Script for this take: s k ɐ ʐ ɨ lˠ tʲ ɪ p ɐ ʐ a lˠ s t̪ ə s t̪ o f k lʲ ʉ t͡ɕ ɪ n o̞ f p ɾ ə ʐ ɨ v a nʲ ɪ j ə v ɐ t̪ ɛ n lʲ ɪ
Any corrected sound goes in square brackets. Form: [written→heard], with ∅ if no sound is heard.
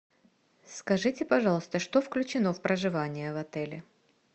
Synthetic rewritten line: s k ɐ ʐ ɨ [lˠ→∅] tʲ ɪ p ɐ ʐ [a→ɑ] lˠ s t̪ ə [s→ʂ] t̪ o f k lʲ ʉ t͡ɕ ɪ n o̞ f p ɾ ə ʐ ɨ v a nʲ ɪ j ə v ɐ t̪ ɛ [n→∅] lʲ ɪ